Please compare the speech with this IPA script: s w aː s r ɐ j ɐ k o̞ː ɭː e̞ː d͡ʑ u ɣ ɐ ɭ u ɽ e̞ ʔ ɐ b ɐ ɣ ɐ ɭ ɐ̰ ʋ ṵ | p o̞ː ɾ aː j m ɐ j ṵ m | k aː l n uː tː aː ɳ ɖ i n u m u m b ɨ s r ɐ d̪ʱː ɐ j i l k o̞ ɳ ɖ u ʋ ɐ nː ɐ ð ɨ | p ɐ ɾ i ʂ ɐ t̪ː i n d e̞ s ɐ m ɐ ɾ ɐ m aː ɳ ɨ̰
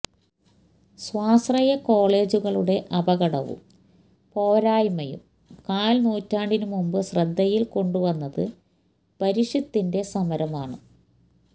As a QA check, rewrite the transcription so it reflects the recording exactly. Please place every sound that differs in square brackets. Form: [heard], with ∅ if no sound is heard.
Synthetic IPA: s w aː s r ɐ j ɐ k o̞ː [ɭ] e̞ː d͡ʑ u ɣ ɐ ɭ u ɽ e̞ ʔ ɐ b ɐ ɣ ɐ [ɽ] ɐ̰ ʋ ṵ | p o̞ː ɾ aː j m ɐ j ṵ m | k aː l n uː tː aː ɳ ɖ i n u m u m b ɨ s r ɐ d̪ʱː ɐ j i l k o̞ ɳ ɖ u ʋ ɐ nː ɐ ð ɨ | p ɐ ɾ i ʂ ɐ t̪ː i n d e̞ s ɐ m ɐ ɾ ɐ m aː ɳ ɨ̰